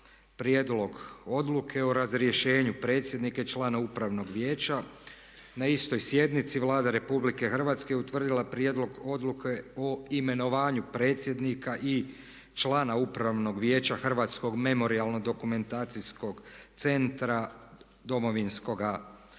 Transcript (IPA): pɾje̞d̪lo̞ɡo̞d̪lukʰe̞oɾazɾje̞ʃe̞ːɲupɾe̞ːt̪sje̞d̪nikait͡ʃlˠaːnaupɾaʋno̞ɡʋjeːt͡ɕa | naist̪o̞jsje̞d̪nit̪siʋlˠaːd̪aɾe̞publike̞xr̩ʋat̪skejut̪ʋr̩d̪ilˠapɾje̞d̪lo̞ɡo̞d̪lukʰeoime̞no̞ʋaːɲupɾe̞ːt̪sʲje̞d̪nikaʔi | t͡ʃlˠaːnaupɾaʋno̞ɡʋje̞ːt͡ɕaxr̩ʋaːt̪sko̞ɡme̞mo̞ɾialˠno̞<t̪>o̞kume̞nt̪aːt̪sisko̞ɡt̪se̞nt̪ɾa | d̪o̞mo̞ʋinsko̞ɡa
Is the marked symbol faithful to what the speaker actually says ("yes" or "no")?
no